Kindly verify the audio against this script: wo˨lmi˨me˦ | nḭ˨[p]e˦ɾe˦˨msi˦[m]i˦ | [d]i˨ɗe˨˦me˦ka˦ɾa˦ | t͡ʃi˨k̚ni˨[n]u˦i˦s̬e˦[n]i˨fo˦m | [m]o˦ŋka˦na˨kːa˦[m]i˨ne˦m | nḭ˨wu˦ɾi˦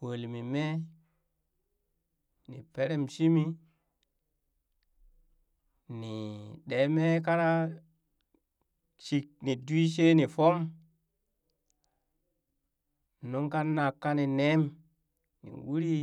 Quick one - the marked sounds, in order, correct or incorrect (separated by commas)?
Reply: correct, correct, incorrect, incorrect, correct, incorrect, incorrect